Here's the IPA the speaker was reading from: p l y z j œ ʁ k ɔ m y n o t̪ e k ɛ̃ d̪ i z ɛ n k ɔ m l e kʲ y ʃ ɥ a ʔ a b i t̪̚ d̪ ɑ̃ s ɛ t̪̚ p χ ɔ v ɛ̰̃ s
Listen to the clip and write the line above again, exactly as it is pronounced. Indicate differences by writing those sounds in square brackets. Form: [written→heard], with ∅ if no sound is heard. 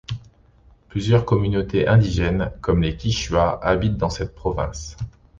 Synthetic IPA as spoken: p l y z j œ ʁ k ɔ m y n o t̪ e [k→ʔ] ɛ̃ d̪ i [z→ʒ] ɛ n k ɔ m l e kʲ [y→i] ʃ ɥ a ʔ a b i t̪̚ d̪ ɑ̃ s ɛ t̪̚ p χ ɔ v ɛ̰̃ s